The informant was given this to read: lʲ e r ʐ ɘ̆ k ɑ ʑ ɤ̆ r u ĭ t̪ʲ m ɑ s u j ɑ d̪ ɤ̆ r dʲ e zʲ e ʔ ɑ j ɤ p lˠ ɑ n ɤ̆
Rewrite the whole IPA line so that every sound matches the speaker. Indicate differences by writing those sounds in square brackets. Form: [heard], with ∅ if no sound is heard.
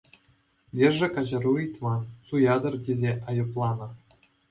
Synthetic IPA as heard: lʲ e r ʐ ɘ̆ k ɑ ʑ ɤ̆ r u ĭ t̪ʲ m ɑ s u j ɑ d̪ ɤ̆ r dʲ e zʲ e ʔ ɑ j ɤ p lˠ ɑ n ɤ̆

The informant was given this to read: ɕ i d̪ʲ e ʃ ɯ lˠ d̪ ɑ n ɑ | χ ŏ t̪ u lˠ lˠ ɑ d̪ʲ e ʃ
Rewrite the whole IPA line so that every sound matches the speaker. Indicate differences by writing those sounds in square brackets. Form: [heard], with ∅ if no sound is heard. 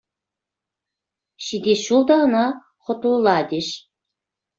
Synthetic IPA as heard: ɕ i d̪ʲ e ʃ [u] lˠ d̪ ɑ n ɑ | χ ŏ t̪ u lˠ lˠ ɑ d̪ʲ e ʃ

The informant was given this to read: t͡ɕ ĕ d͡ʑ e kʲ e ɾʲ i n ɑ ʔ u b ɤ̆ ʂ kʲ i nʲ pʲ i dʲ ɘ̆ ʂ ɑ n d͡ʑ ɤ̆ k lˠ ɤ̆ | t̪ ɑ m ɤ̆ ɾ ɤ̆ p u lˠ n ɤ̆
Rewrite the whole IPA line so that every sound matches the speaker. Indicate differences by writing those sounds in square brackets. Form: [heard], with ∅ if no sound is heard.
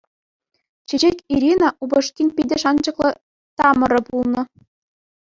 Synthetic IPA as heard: t͡ɕ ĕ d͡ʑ e kʲ [i] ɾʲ i n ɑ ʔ u b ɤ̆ ʂ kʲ i nʲ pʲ i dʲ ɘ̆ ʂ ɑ n d͡ʑ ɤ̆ k lˠ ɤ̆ | t̪ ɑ m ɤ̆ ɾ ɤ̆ p u lˠ n ɤ̆

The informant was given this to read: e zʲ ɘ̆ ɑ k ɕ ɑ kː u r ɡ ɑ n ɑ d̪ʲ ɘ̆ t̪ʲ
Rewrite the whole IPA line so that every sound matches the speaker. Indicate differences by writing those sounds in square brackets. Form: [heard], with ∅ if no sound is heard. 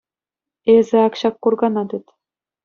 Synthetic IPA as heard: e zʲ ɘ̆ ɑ k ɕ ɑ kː u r ɡ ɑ n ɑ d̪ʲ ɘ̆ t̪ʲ

